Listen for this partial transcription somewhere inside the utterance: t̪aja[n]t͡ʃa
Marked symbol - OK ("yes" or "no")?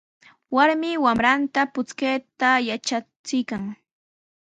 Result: no